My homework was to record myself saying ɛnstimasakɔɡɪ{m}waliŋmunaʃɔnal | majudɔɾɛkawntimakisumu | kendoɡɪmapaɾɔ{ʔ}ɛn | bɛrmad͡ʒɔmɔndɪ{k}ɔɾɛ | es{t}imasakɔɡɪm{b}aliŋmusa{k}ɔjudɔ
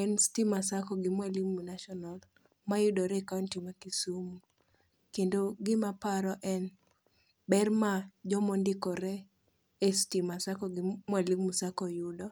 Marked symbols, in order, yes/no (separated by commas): yes, yes, yes, yes, no, yes